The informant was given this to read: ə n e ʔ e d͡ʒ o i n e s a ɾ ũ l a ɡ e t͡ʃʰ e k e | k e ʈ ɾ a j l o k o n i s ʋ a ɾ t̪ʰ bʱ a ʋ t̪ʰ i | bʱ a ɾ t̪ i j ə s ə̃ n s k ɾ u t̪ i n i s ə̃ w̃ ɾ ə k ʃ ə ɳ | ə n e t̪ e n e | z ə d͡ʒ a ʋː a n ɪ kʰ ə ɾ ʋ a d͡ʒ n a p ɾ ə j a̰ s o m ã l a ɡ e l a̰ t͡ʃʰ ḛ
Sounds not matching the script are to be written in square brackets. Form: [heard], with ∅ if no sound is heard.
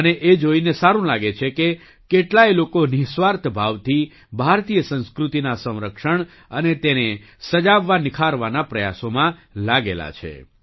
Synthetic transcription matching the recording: ə n e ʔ e d͡ʒ o i n e s a ɾ ũ l a ɡ e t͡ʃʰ e k e | k e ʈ [l] a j l o k o n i s ʋ a ɾ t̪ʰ bʱ a ʋ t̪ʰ i | bʱ a ɾ t̪ i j ə s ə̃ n s k ɾ u t̪ i n [a] s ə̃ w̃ ɾ ə k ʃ ə ɳ | ə n e t̪ e n e | [s] ə d͡ʒ a ʋː a n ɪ kʰ [a] ɾ ʋ a [∅] n a p ɾ ə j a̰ s o m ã l a ɡ e l a̰ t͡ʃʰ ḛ